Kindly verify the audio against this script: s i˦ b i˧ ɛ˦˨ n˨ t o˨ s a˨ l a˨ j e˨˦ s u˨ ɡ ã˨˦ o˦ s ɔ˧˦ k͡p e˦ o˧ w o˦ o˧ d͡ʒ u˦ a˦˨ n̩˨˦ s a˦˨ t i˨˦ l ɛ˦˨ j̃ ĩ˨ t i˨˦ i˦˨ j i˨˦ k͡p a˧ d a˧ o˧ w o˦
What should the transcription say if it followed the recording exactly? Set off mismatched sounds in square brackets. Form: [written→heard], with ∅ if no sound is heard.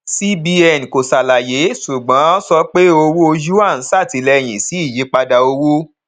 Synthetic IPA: s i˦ b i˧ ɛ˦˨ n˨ [t→k] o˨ s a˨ l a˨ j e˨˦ s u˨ [ɡ→ɡ͡b] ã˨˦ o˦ s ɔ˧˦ k͡p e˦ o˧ w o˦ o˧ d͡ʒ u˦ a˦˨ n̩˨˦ s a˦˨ t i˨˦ l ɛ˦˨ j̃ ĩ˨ [t→s] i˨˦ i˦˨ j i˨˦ k͡p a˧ d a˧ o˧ w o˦